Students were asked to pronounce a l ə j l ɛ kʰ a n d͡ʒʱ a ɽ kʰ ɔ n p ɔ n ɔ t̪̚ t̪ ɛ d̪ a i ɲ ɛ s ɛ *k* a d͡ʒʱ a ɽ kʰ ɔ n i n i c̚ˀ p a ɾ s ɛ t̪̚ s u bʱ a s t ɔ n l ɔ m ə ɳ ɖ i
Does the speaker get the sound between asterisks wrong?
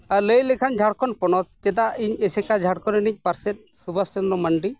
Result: no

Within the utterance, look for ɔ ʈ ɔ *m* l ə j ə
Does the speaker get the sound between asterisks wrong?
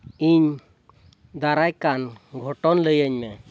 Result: yes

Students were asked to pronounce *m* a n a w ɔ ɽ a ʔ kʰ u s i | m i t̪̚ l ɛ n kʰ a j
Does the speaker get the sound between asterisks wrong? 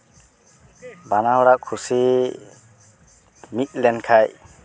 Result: yes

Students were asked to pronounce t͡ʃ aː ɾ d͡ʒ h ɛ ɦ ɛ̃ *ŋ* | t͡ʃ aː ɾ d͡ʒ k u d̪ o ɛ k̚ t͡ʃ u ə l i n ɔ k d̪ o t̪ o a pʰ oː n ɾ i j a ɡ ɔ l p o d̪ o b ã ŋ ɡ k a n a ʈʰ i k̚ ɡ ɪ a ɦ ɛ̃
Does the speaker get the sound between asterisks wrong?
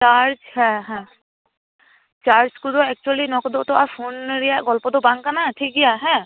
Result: yes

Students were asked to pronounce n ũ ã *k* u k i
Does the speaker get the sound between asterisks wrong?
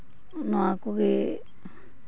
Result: no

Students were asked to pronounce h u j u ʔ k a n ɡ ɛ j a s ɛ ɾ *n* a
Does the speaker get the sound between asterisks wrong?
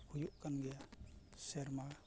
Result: yes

